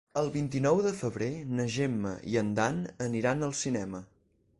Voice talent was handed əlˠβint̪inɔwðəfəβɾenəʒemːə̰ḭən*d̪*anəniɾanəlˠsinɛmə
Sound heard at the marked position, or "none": d̪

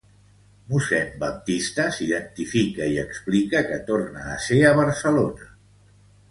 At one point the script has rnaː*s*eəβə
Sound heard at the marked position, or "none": s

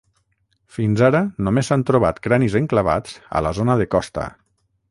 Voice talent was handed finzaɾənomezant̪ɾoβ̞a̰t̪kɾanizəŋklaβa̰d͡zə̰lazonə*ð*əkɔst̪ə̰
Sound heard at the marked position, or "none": ð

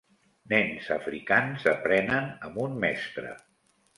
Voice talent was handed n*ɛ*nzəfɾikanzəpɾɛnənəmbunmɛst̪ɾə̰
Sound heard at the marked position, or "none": ɛ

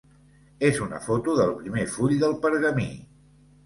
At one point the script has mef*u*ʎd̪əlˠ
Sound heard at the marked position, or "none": u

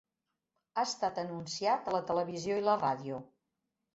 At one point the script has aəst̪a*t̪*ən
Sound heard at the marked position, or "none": t̪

